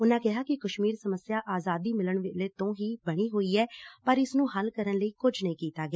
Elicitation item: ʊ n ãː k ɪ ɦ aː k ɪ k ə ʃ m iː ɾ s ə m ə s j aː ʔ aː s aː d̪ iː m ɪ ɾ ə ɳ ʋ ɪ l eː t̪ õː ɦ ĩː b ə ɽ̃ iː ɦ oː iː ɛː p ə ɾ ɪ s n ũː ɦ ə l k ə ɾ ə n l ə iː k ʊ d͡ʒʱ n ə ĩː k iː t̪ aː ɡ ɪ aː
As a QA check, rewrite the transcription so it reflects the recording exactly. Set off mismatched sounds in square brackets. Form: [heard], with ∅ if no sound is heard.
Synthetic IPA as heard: ʊ n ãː k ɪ ɦ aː k ɪ k ə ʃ m iː ɾ s ə m ə s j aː ʔ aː [z] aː d̪ iː m ɪ [l] ə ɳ ʋ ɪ l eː t̪ õː ɦ [iː] b ə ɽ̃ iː ɦ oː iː ɛː p ə ɾ ɪ s n ũː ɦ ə l k ə ɾ ə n l ə iː k ʊ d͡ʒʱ n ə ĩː k iː t̪ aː ɡ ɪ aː